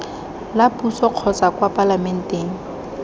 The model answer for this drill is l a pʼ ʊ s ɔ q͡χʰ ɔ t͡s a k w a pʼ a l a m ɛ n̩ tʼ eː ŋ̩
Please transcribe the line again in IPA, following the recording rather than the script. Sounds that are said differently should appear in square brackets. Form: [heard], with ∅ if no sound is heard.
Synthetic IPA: l a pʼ [u] s ɔ q͡χʰ ɔ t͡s a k w a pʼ a l a m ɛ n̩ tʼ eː ŋ̩